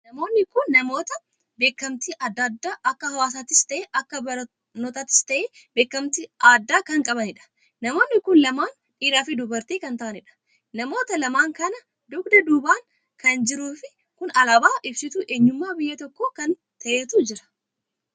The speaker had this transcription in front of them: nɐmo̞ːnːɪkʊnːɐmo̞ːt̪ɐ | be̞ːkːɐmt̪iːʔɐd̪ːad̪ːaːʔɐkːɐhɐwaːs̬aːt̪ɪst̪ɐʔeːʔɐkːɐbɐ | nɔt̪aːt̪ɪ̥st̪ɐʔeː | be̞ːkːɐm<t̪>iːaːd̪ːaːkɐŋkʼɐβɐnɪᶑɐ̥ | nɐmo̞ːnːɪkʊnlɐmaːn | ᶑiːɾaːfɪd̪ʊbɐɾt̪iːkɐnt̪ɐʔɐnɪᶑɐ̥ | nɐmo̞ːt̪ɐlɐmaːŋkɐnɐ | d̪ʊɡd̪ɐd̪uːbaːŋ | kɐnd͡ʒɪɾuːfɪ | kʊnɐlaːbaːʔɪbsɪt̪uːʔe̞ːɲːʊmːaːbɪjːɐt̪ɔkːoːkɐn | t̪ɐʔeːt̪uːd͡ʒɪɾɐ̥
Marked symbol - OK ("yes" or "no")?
yes